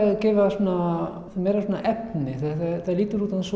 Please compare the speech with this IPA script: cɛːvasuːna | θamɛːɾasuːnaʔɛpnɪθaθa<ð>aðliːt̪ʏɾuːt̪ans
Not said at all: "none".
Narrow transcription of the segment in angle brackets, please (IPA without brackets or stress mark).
θ